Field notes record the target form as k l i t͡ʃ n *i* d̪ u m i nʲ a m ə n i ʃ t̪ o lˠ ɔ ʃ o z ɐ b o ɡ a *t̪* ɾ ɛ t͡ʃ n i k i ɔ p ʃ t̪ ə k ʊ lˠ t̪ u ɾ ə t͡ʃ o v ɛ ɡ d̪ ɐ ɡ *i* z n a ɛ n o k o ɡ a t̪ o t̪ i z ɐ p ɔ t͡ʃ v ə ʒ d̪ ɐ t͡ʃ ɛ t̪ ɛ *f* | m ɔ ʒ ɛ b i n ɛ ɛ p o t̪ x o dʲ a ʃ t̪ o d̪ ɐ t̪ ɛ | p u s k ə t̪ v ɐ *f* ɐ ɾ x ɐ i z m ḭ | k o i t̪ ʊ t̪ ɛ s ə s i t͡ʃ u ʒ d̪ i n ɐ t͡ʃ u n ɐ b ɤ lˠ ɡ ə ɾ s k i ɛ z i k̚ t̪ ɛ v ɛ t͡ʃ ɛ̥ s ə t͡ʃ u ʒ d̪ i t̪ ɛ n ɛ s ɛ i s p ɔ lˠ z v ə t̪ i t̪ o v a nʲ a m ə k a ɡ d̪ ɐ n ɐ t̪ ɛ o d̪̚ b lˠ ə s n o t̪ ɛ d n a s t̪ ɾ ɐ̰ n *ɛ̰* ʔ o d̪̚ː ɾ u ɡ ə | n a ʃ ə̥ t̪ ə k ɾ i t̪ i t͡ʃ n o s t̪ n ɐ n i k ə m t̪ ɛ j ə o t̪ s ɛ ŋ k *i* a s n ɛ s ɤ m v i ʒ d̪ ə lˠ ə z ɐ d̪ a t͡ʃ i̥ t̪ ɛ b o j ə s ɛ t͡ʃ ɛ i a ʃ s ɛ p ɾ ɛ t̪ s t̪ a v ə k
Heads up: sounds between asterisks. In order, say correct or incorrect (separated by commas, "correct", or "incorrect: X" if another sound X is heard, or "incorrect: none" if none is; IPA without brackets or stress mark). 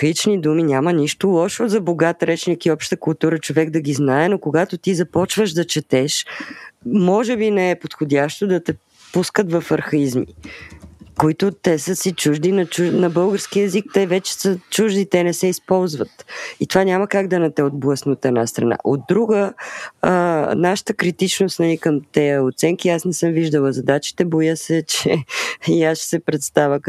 correct, correct, correct, incorrect: ʃ, correct, incorrect: a̰, correct